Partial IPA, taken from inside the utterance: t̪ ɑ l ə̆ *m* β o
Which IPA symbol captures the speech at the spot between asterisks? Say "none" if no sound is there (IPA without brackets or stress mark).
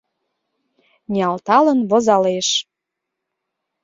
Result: n